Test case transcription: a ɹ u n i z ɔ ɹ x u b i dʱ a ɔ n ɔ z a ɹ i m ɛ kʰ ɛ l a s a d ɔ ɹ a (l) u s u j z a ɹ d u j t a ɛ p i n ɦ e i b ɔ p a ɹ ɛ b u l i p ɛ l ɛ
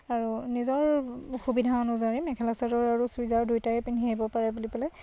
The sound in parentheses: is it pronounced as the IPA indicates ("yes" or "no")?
no